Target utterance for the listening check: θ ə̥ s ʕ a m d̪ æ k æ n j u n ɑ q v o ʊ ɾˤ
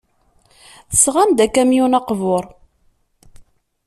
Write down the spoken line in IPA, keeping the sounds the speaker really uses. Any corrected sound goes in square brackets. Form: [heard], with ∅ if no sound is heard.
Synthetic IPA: θ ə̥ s [ʁ] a m d̪ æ k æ [m] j u n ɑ q v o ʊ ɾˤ